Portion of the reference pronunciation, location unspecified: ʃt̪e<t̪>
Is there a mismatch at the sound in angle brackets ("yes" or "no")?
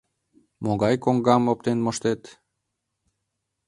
no